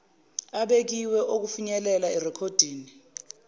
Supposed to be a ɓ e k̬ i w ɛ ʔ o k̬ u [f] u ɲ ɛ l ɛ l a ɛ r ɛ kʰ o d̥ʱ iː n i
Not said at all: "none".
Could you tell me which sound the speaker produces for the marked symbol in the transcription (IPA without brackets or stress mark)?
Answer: f